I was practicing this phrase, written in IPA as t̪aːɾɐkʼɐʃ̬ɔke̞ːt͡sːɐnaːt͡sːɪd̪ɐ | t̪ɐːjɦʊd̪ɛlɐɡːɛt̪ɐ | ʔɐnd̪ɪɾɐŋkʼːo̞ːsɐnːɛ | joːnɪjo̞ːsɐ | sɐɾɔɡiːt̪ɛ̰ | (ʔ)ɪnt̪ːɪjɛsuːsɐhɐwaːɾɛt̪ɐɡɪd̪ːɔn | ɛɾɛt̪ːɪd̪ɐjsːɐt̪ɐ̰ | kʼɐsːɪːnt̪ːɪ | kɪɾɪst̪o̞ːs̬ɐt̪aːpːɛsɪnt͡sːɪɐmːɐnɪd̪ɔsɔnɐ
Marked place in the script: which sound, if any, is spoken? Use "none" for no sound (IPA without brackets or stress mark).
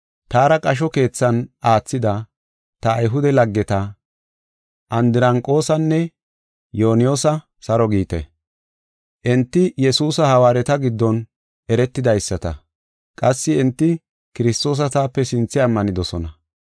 ʔ